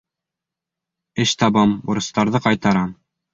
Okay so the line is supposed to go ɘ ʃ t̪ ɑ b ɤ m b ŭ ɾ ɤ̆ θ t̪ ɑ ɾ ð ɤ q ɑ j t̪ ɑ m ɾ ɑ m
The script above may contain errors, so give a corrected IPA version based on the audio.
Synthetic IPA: ɘ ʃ t̪ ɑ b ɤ m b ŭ ɾ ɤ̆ s t̪ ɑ ɾ ð ɤ q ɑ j t̪ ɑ ɾ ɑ m